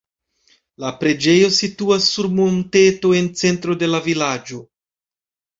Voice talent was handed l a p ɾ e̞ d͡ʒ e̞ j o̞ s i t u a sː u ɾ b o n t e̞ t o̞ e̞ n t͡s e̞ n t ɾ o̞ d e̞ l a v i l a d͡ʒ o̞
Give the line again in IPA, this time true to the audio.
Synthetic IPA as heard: l a p ɾ e̞ d͡ʒ e̞ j o̞ s i t u a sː u ɾ m o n t e̞ t o̞ e̞ n t͡s e̞ n t ɾ o̞ d e̞ l a v i l a d͡ʒ o̞